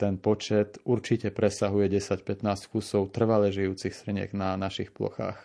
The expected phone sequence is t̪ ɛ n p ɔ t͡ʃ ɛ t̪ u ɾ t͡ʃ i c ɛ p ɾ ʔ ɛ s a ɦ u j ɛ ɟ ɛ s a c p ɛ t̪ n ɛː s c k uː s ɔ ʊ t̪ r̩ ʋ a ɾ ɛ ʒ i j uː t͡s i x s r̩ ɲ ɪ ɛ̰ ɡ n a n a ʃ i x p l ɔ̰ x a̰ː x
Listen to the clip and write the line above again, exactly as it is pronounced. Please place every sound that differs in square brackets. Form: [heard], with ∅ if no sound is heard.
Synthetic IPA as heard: t̪ ɛ n p ɔ t͡ʃ ɛ t̪ u ɾ t͡ʃ i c ɛ p ɾ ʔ ɛ s a ɦ u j ɛ ɟ ɛ s a c p ɛ t̪ n [aː] s c k [u] s ɔ ʊ t̪ r̩ ʋ a [l] ɛ ʒ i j uː t͡s i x s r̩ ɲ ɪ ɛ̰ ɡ n a n a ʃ i x p l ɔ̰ x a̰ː x